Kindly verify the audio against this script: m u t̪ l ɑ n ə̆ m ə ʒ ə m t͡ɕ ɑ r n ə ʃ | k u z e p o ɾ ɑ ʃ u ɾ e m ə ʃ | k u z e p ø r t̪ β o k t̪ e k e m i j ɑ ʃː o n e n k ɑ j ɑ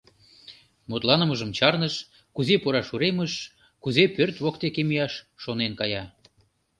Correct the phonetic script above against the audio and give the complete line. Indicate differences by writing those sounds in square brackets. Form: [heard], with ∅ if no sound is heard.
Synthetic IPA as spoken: m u t̪ l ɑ n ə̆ m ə ʒ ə m t͡ɕ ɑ r n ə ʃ | k u z e p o ɾ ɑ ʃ u ɾ e m ə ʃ | k u z e p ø r t̪ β o k t̪ e k e m i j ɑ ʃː o n e n k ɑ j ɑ